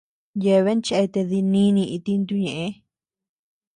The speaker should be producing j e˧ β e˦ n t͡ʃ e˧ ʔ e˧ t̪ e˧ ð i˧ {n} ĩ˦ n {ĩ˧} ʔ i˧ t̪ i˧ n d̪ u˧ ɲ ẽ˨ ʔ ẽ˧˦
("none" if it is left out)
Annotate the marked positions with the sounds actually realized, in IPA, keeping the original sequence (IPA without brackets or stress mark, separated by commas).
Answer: n, ĩ˧